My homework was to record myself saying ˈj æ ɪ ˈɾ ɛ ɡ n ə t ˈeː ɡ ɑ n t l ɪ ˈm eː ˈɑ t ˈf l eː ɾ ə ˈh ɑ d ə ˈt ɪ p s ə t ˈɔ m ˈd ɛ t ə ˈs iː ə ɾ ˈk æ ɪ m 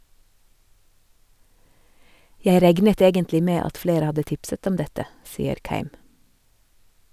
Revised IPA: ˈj æ ɪ ˈɾ ɛ ɡ n ə t ˈeː ɡ ə n t l ɪ ˈm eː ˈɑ t ˈf l eː ɾ ə ˈh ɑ d ə ˈt ɪ p s ə t ˈɔ m ˈd ɛ t ə ˈs iː ə ɾ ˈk æ ɪ m

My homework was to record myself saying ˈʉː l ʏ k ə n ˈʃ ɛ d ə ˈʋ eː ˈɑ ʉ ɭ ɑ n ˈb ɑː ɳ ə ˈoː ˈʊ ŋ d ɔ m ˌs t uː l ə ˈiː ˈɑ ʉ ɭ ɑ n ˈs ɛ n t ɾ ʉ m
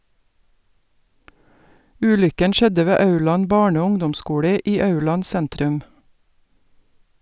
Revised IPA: ˈʉː l ʏ k ə n ˈʃ ɛ d ə ˈʋ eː ˈɑ ʉ ɭ ɑ n ˈb ɑː ɳ ə ˈoː ˈʊ ŋ d ɔ m ˌs k uː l ə ˈiː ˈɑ ʉ ɭ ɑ n ˈs ɛ n t ɾ ʉ m

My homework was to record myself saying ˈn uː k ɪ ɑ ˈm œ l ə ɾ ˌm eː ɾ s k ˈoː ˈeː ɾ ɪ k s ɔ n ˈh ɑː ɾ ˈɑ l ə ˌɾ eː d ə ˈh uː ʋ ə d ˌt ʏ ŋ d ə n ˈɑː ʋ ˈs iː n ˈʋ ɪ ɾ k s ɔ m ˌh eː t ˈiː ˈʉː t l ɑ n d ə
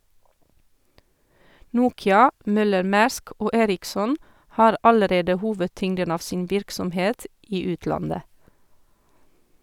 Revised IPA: ˈn uː k ɪ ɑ ˈm œ l ə ɾ ˌm æː ɾ s k ˈoː ˈeː ɾ ɪ k s ɔ n ˈh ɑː ɾ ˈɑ l ə ˌɾ eː d ə ˈh uː ʋ ə d ˌt ʏ ŋ d ə n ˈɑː ʋ ˈs iː n ˈʋ ɪ ɾ k s ɔ m ˌh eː t ˈiː ˈʉː t l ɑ n d ə

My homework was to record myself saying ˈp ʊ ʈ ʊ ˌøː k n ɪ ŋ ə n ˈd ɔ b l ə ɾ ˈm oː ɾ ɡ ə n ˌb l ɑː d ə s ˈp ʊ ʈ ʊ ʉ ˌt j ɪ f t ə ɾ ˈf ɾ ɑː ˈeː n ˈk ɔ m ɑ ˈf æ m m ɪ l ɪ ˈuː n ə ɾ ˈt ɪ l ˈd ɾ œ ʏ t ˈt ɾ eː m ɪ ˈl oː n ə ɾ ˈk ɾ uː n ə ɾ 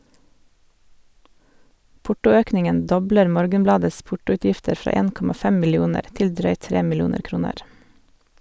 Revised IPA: ˈp ʊ ʈ ʊ ˌøː k n ɪ ŋ ə n ˈd ɔ b l ə ɾ ˈm oː ɾ ɡ ə n ˌb l ɑː d ə s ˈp ʊ ʈ ʊ ʉ ˌt j ɪ f t ə ɾ ˈf ɾ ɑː ˈeː n ˈk ɔ m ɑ ˈf ɛ m m ɪ l ɪ ˈuː n ə ɾ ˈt ɪ l ˈd ɾ œ ʏ t ˈt ɾ eː m ɪ ˈl uː n ə ɾ ˈk ɾ uː n ə ɾ

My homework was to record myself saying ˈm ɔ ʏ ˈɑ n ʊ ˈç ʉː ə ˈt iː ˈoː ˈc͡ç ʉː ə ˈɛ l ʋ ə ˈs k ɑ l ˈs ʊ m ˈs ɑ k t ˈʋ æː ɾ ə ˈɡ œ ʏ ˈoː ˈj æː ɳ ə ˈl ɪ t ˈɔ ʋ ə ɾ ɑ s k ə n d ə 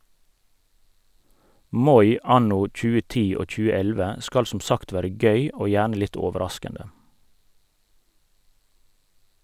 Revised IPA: ˈm ɔ ʏ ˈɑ n ʊ ˈc͡ç ʉː ə ˈt iː ˈoː ˈc͡ç ʉː ə ˈɛ l ʋ ə ˈs k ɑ l ˈs ʊ m ˈs ɑ k t ˈʋ æː ɾ ə ˈɡ œ ʏ ˈoː ˈj æː ɳ ə ˈl ɪ t ˈɔ ʋ ə ɾ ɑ s k ə n d ə

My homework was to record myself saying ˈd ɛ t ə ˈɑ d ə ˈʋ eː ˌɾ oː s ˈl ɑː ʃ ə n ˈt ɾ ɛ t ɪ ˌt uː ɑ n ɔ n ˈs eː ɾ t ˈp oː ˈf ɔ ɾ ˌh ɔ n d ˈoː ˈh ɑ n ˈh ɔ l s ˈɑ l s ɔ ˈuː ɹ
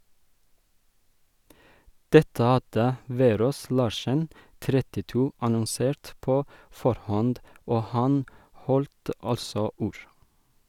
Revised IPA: ˈd ɛ t ə ˈɑ d ə ˈʋ eː ˌɾ oː s ˈl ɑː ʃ ə n ˈt ɾ ɛ t ɪ ˌt uː ɑ n ɔ n ˈs eː ɾ t ˈp oː ˈf ɔ ɾ ˌh ɔ n d ˈoː ˈh ɑ n ˈh ɔ l t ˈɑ l s ɔ ˈuː ɹ

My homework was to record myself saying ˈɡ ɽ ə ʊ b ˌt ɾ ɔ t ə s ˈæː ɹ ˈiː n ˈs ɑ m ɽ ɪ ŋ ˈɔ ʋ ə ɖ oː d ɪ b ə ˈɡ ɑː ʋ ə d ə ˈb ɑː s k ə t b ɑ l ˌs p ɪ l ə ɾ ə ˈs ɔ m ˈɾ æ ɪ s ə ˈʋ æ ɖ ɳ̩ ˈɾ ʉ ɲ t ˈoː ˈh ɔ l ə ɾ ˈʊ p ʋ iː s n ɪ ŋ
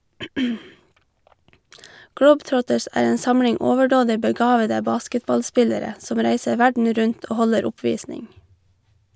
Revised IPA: ˈɡ ɽ ə ʊ b ˌt ɾ ɔ t ə s ˈæː ɹ ˈeː n ˈs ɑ m ɽ ɪ ŋ ˈɔ ʋ ə ɖ oː d ɪ b ə ˈɡ ɑː ʋ ə d ə ˈb ɑː s k ə t b ɑ l ˌs p ɪ l ə ɾ ə ˈs ɔ m ˈɾ æ ɪ s ə ˈʋ æ ɖ ɳ̩ ˈɾ ʉ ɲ t ˈoː ˈh ɔ l ə ɾ ˈʊ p ʋ iː s n ɪ ŋ

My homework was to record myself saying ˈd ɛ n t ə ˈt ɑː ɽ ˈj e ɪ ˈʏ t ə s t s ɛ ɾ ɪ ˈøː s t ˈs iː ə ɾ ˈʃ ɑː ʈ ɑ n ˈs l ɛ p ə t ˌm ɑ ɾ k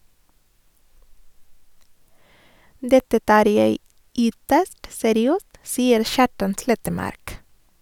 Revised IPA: ˈd ɛ t ə ˈt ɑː ɾ ˈj e ɪ ˈʏ t ə s t s ɛ ɾ ɪ ˈøː s t ˈs iː ə ɾ ˈʃ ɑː ʈ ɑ n ˈs l ɛ t ə ˌm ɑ ɾ k

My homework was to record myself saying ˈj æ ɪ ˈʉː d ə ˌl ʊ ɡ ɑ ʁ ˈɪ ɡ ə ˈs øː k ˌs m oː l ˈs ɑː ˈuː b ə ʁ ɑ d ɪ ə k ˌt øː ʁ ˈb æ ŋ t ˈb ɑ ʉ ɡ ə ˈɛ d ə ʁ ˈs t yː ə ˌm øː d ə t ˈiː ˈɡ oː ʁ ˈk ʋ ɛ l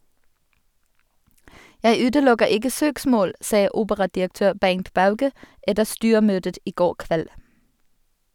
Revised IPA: ˈj æ ɪ ˈʉː d ə ˌl ʊ ɡ ə ʁ ˈɪ ɡ ə ˈs øː k ˌs m oː l ˈs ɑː ˈuː b ə ʁ ɑ d ɪ ə k ˌt øː ʁ ˈb æ ŋ t ˈb ɑ ʉ ɡ ə ˈɛ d ə ʁ ˈs t yː ə ˌm øː d ə t ˈiː ˈɡ oː ʁ ˈk ʋ ɛ l

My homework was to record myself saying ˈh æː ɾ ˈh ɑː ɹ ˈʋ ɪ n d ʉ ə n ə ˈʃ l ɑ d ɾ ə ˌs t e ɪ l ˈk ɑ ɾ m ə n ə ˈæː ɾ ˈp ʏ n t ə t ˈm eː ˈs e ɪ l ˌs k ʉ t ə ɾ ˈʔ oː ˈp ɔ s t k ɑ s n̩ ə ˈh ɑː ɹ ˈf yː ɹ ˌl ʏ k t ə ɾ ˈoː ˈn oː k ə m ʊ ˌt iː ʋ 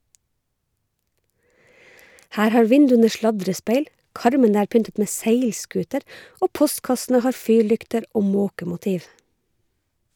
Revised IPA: ˈh æː ɾ ˈh ɑː ɹ ˈʋ ɪ n d ʉ ə n ə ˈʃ l ɑ d ɾ ə ˌs p e ɪ l ˈk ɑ ɾ m ə n ə ˈæː ɾ ˈp ʏ n t ə t ˈm eː ˈs e ɪ l ˌs k ʉː t ə ɾ ˈʔ oː ˈp ɔ s t k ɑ s n̩ ə ˈh ɑː ɹ ˈf yː ɹ ˌl ʏ k t ə ɾ ˈoː ˈm oː k ə m ʊ ˌt iː ʋ

